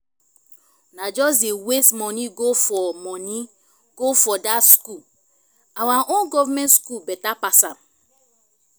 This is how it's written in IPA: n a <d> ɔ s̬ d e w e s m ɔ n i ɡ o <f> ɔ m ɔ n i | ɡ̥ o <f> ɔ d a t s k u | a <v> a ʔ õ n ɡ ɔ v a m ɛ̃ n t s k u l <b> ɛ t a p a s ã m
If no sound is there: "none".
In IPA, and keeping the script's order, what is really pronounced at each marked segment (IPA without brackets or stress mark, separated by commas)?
d͡ʒ, f, f, w, b